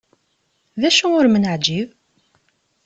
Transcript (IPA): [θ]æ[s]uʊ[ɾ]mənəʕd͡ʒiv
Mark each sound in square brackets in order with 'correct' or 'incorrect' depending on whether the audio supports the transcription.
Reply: incorrect: ð, incorrect: ʃ, correct

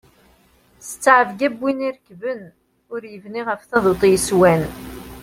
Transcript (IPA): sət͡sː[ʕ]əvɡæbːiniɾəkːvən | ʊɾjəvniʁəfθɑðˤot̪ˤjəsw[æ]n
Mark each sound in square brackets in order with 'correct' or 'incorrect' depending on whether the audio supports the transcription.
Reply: correct, correct

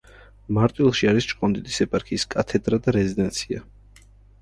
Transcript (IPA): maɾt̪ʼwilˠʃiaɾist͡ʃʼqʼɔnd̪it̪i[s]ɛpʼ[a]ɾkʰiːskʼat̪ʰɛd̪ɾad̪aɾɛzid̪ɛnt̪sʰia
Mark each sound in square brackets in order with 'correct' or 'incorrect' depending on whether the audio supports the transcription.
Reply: correct, correct

